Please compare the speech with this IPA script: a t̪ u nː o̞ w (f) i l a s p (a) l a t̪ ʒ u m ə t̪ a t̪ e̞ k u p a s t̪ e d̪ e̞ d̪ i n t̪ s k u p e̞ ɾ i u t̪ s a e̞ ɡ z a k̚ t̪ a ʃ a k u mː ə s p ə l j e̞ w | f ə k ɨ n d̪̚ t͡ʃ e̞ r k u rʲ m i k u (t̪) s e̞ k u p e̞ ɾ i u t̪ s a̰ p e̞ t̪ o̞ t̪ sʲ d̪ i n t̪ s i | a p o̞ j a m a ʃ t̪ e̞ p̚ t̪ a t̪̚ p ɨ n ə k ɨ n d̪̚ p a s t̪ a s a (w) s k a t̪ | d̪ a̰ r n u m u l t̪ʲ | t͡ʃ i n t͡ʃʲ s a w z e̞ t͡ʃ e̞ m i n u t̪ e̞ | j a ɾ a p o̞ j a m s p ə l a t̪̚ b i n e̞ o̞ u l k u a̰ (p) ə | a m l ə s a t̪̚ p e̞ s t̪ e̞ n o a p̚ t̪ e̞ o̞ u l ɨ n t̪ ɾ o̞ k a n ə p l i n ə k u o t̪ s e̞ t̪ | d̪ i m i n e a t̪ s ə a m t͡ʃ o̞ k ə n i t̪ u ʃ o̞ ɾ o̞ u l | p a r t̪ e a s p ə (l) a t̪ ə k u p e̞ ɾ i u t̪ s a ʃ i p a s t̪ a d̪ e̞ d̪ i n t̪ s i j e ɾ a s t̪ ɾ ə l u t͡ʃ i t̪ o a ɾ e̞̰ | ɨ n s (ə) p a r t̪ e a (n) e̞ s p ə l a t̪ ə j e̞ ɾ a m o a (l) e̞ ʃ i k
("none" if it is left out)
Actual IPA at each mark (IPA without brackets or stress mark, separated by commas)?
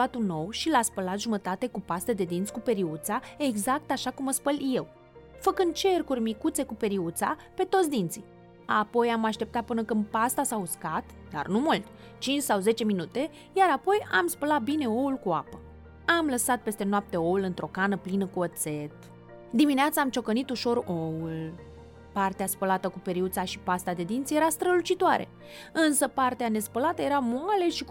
ʃ, ə, t̪, u, p, l, ə, n, l